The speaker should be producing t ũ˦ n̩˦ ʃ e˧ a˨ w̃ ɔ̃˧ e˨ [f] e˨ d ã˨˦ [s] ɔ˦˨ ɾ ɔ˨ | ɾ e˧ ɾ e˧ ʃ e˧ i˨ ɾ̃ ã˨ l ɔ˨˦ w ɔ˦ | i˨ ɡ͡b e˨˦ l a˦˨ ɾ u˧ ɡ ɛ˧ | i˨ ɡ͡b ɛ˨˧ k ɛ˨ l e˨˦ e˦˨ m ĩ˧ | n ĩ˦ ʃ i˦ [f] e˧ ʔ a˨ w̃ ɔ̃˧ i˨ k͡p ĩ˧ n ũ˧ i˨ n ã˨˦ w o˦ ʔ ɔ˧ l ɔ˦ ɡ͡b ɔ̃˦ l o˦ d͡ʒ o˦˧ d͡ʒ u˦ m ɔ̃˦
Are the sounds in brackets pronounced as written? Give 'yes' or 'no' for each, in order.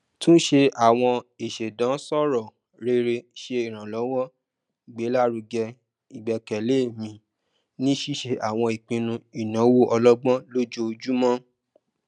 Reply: no, yes, no

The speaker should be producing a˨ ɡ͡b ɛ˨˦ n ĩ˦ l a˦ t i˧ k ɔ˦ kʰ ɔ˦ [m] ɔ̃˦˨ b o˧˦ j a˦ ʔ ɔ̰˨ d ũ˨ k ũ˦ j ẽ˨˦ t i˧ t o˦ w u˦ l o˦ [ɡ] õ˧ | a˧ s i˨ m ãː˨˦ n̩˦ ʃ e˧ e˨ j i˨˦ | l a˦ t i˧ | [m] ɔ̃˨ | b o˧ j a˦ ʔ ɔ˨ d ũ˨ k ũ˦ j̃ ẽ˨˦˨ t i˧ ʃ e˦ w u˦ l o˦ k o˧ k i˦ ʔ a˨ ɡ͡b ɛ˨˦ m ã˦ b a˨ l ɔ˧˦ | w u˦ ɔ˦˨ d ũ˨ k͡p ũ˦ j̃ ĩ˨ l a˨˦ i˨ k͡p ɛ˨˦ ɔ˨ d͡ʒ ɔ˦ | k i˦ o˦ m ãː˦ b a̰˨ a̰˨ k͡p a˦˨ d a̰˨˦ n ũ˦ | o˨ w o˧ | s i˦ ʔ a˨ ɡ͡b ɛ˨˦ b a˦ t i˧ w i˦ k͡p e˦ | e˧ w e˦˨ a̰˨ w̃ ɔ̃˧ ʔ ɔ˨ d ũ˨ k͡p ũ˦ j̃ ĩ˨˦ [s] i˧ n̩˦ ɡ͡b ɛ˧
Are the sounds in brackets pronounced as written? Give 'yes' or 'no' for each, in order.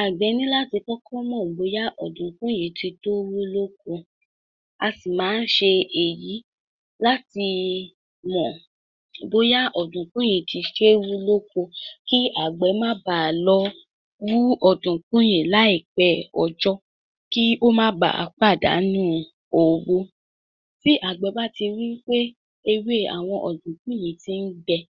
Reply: yes, no, yes, no

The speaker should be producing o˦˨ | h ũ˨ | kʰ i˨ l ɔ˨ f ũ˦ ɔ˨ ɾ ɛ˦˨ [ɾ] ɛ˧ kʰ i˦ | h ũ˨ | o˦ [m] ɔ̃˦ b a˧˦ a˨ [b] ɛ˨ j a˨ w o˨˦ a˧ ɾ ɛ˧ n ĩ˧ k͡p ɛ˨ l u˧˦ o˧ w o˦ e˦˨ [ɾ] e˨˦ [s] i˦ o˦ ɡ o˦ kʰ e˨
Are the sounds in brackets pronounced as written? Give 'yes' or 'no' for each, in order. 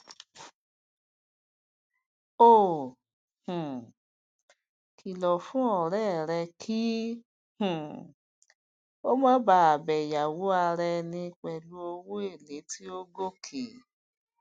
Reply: yes, yes, yes, no, no

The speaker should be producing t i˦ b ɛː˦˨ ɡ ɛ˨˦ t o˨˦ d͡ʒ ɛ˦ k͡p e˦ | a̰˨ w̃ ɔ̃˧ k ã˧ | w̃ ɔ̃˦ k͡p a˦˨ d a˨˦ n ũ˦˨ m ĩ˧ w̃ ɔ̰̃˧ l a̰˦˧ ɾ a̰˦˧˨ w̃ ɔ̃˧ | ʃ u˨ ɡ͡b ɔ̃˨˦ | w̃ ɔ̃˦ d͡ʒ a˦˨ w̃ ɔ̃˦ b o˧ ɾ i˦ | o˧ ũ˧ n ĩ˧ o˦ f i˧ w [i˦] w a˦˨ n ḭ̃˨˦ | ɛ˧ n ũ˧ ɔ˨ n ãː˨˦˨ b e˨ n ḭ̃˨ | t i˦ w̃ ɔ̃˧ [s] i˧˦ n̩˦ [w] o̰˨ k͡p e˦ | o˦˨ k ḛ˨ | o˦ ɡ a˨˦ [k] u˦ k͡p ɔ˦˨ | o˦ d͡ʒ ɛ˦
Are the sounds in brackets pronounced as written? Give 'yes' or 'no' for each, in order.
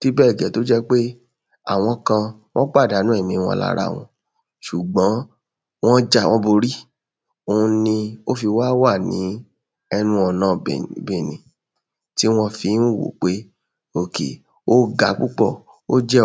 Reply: no, no, yes, no

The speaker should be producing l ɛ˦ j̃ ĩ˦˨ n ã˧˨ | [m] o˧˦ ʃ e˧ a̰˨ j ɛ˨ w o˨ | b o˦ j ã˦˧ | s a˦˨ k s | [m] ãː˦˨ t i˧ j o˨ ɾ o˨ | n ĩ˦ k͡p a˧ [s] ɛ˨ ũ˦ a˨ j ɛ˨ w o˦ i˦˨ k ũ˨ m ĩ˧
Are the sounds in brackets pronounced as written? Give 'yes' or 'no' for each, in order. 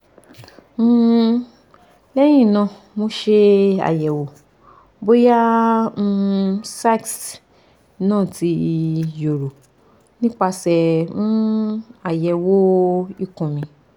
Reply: yes, no, yes

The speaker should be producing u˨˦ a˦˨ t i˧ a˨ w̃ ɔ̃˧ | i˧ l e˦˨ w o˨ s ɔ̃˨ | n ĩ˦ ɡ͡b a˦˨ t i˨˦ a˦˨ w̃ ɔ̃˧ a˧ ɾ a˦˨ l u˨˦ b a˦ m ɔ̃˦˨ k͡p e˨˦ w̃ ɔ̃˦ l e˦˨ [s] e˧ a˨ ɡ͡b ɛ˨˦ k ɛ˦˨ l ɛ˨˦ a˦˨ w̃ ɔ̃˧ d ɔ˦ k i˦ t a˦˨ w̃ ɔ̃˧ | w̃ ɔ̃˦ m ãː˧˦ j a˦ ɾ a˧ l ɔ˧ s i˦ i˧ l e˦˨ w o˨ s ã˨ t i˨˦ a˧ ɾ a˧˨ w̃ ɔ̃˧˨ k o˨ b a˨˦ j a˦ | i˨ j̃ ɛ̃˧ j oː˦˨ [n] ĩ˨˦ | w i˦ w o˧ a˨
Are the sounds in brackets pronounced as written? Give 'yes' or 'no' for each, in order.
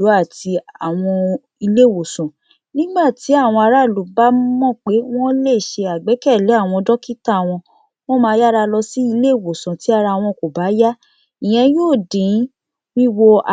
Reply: no, no

